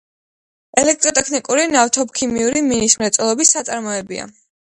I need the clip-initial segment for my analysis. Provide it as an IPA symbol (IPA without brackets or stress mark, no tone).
ɛ